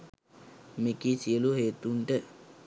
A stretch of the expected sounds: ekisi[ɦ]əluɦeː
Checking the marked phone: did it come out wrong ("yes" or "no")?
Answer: yes